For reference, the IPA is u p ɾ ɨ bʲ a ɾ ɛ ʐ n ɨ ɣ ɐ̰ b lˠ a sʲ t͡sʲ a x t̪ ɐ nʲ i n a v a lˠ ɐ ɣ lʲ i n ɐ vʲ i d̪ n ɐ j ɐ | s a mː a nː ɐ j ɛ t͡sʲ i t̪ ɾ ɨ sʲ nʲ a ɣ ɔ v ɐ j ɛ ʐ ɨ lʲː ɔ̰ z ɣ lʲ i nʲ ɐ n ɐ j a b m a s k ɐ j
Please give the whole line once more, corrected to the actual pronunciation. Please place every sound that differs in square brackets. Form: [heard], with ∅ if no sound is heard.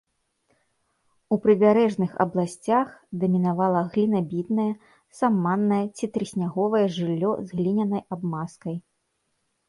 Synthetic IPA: u p ɾ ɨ bʲ a ɾ ɛ ʐ n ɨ [x] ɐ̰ b lˠ a sʲ t͡sʲ a x [d̪] ɐ [mʲ] i n a v a lˠ ɐ ɣ lʲ i n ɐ [bʲ] i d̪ n ɐ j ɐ | s a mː a nː ɐ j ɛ t͡sʲ i t̪ ɾ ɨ sʲ nʲ a ɣ ɔ v ɐ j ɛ ʐ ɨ lʲː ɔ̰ z ɣ lʲ i nʲ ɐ n ɐ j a b m a s k ɐ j